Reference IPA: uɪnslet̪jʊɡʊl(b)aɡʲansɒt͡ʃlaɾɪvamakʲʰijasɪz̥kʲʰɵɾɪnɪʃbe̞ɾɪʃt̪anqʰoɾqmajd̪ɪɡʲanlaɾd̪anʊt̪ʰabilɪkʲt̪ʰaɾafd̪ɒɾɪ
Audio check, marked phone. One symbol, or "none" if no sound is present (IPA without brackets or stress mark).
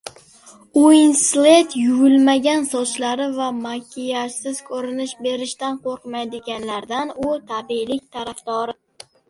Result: m